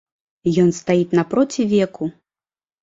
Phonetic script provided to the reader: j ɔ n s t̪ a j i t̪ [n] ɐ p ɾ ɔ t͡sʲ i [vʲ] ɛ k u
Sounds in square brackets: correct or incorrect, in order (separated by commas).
correct, correct